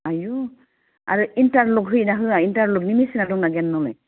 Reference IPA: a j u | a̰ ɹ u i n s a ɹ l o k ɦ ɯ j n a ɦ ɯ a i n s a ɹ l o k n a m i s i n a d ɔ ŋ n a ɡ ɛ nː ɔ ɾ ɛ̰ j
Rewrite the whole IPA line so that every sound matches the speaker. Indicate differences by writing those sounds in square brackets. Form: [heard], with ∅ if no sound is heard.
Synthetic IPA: a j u | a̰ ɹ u i n [t] a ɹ l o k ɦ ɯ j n a ɦ ɯ a i n [t] a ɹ l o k n [i] m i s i n a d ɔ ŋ n a ɡ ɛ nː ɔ [l] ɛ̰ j